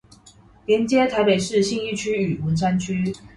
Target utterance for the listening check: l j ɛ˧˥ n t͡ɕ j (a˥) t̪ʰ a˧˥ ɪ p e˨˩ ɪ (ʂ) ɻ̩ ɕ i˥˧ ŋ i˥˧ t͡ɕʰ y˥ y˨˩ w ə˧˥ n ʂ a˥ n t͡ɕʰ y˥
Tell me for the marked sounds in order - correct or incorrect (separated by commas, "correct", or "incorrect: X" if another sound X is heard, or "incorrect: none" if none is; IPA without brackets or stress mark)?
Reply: incorrect: ɛ˥, correct